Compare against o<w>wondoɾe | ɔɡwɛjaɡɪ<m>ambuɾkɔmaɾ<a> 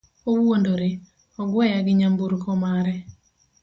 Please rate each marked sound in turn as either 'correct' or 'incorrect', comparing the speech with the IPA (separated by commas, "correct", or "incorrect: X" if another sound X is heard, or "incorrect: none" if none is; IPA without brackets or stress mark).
correct, incorrect: ɲ, incorrect: ɛ